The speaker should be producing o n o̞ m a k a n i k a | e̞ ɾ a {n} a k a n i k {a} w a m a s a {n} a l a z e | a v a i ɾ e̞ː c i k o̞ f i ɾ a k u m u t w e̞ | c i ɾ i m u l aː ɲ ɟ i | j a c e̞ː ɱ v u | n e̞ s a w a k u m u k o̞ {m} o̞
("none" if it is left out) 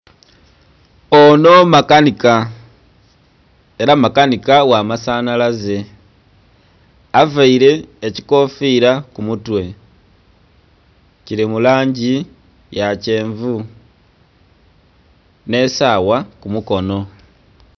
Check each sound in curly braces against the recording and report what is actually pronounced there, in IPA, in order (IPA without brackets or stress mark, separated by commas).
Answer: m, a, n, n